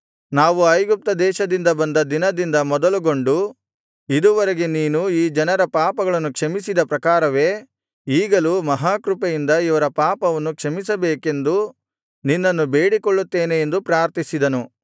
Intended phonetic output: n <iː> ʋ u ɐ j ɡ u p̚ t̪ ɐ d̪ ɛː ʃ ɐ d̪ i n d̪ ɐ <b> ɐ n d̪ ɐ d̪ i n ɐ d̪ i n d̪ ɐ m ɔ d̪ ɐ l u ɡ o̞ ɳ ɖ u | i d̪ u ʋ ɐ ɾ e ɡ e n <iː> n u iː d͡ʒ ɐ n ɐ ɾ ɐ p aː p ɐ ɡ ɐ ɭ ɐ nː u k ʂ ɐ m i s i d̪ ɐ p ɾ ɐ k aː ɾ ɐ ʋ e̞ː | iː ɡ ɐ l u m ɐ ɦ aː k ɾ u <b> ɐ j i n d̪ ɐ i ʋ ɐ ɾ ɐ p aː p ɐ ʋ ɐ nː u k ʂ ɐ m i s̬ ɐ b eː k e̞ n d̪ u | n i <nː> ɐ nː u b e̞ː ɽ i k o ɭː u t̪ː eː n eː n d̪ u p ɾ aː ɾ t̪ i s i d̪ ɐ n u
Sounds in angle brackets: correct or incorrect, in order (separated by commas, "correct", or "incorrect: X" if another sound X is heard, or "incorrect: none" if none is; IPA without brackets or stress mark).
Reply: incorrect: aː, correct, correct, incorrect: p, correct